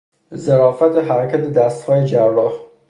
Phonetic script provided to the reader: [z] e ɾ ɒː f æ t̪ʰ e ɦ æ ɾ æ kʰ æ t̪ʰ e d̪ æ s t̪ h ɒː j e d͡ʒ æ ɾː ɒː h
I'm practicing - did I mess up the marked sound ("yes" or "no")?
no